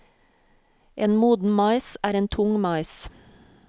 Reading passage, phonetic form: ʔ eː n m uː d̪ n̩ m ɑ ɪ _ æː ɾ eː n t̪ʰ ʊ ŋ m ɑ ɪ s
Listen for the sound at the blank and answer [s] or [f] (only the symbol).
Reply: s